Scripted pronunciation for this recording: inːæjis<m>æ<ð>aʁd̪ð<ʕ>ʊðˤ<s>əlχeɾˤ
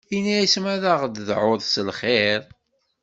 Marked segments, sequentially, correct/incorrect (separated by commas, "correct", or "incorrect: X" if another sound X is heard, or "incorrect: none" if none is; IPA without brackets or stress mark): correct, correct, correct, correct